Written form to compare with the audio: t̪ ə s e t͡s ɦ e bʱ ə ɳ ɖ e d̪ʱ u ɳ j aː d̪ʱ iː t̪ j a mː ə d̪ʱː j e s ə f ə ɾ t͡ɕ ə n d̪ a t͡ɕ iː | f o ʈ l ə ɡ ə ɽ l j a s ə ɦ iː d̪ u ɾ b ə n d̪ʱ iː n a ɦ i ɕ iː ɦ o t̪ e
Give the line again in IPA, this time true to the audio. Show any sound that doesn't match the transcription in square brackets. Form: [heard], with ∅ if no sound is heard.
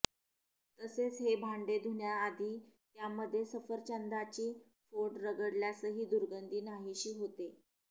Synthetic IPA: t̪ ə s e t͡s ɦ e bʱ [a] ɳ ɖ e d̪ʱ u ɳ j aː d̪ʱ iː t̪ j a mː ə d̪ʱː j e s ə f ə ɾ t͡ɕ ə n d̪ a t͡ɕ iː | f o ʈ [ɾ] ə ɡ ə ɽ l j a s ə ɦ iː d̪ u ɾ [ɡ] ə n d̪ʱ iː n a ɦ i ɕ iː ɦ o t̪ e